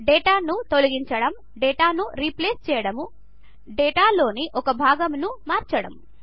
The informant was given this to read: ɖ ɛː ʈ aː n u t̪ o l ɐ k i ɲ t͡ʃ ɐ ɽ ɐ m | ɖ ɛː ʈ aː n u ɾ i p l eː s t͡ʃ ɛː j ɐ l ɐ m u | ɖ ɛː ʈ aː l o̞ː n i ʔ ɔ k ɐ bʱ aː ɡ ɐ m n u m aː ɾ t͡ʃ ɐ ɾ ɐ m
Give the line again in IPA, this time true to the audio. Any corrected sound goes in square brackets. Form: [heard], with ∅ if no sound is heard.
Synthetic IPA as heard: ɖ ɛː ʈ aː n u t̪ o l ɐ [ɡ] i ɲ t͡ʃ ɐ ɽ ɐ m | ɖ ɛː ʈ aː n u ɾ i p l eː s t͡ʃ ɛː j ɐ [ɽ] ɐ m u | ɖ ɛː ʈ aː l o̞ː n i ʔ ɔ k ɐ bʱ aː ɡ ɐ m n u m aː ɾ t͡ʃ ɐ [ɽ] ɐ m